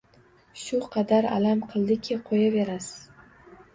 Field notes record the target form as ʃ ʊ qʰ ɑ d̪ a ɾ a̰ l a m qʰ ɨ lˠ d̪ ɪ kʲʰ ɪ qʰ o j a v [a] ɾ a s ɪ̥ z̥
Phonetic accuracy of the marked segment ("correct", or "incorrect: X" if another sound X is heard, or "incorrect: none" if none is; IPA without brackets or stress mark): incorrect: e